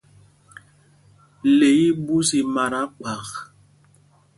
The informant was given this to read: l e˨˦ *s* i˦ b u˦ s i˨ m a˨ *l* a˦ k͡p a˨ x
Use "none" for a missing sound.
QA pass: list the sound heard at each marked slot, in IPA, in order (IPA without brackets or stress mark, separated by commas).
none, ɾ